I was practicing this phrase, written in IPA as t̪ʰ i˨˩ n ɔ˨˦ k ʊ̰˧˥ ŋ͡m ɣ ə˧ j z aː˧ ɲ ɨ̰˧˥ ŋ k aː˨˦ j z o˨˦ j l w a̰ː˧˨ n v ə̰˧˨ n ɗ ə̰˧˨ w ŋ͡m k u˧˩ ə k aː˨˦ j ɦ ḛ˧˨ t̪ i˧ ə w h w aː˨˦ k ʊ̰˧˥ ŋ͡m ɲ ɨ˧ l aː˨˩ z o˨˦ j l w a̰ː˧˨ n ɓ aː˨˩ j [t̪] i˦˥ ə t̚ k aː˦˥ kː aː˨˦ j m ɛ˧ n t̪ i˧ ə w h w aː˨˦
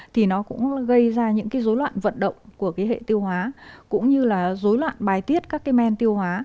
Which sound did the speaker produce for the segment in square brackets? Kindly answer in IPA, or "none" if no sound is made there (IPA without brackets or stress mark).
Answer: t̪